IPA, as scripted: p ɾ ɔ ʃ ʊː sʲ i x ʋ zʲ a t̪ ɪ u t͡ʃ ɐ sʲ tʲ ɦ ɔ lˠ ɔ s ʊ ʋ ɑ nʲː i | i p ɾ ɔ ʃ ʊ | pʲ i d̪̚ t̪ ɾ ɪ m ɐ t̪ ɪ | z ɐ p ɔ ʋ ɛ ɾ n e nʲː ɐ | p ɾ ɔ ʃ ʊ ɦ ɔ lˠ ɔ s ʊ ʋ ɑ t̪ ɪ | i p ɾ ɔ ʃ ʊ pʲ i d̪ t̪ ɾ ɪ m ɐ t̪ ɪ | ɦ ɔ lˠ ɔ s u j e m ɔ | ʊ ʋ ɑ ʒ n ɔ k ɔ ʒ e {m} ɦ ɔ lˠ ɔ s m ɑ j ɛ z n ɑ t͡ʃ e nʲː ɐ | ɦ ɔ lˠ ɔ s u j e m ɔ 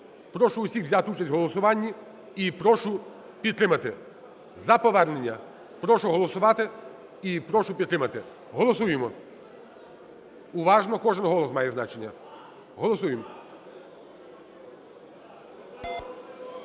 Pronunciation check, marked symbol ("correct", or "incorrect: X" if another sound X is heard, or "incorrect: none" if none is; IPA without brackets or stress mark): incorrect: n